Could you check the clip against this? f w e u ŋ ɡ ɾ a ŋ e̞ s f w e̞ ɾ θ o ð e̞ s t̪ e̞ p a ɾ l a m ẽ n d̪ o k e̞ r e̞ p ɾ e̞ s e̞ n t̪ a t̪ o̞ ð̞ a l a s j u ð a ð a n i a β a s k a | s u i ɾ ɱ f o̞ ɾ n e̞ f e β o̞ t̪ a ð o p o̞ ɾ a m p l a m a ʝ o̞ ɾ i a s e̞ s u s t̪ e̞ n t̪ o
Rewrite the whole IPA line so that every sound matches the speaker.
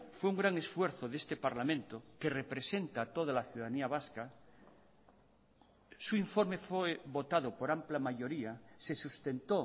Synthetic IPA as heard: f w e u ŋ ɡ ɾ a ŋ e̞ s f w e̞ ɾ θ o ð e̞ s t̪ e̞ p a ɾ l a m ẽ n t̪ o k e̞ r e̞ p ɾ e̞ s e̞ n t̪ a t̪ o̞ ð̞ a l a θ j u ð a ð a n i a β a s k a | s u i ɱ f o̞ ɾ m e̞ f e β o̞ t̪ a ð o p o̞ ɾ a m p l a m a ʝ o̞ ɾ i a s e̞ s u s t̪ e̞ n t̪ o